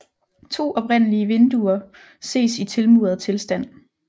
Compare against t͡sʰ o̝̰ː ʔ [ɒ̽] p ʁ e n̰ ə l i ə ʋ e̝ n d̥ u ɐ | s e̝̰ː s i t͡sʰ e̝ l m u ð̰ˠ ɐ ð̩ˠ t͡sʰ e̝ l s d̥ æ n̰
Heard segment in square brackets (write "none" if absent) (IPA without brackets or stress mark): ɒ̽